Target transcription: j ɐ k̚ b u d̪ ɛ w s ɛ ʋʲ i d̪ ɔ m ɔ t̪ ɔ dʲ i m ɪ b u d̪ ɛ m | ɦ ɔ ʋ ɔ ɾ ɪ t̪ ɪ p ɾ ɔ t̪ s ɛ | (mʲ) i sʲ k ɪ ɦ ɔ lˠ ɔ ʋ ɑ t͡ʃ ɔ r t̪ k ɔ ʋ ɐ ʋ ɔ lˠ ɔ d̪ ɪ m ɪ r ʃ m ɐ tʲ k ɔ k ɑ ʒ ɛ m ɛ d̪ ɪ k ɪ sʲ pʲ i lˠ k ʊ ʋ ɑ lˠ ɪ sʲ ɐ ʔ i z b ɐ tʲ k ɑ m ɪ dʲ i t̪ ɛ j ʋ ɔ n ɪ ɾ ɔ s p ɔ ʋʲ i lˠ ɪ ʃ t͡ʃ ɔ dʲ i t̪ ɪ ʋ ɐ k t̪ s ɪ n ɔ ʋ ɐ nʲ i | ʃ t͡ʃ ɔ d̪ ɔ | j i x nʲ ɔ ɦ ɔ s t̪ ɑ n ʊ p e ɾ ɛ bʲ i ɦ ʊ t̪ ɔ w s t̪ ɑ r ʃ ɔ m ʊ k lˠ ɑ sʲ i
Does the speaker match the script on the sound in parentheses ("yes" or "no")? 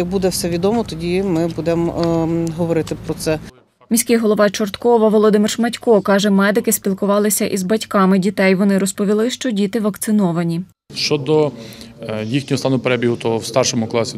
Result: yes